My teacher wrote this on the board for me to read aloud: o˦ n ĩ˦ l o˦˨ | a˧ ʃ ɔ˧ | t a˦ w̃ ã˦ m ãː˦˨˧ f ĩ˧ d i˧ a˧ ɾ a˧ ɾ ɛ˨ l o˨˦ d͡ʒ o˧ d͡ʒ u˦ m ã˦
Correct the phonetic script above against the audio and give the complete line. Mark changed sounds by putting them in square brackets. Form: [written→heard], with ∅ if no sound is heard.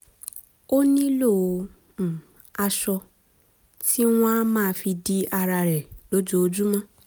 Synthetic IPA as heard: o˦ n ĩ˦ l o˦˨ | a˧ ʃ ɔ˧ | t [a˦→i˦] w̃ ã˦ m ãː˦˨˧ f [ĩ˧→i˧] d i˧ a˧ ɾ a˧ ɾ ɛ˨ l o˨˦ d͡ʒ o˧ d͡ʒ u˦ m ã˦